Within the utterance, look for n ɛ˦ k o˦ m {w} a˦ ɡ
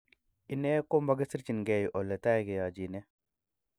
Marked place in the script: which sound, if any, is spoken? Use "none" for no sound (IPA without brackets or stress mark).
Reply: b